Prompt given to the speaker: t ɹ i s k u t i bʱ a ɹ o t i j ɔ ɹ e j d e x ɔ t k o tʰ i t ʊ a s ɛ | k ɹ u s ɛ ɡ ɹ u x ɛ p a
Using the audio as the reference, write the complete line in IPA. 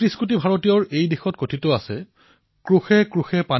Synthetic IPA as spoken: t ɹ i s k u t i bʱ a ɹ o t i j ɔ ɹ e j d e x ɔ t k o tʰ i t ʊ a s ɛ | k ɹ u x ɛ k ɹ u x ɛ p a